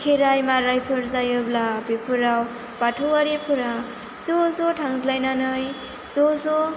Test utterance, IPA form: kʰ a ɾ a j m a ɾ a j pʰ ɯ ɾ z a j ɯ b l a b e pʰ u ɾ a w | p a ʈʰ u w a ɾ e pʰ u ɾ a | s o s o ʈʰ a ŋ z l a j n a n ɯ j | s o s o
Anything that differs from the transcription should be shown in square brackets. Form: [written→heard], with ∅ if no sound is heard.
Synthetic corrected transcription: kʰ [a→e] ɾ a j m a ɾ a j pʰ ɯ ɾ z a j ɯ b l a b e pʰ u ɾ a w | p a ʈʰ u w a ɾ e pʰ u ɾ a | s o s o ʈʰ a ŋ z l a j n a n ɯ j | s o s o